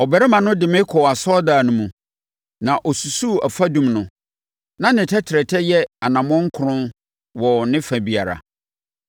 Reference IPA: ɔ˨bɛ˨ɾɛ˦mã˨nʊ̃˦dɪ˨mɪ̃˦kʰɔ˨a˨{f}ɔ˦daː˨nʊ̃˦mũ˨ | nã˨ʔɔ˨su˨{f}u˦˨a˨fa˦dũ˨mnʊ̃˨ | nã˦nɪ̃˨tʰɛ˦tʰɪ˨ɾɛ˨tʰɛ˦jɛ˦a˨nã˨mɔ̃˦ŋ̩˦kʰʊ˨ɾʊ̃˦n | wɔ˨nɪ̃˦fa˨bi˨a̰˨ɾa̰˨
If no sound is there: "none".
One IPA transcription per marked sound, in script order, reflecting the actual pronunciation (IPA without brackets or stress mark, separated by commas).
s, s